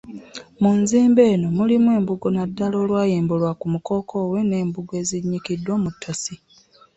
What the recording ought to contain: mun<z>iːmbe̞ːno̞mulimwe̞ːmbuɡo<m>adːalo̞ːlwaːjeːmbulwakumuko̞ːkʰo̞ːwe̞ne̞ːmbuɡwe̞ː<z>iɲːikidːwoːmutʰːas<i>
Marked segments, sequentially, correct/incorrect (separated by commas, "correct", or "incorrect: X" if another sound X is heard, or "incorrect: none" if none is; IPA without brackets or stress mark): correct, incorrect: n, correct, correct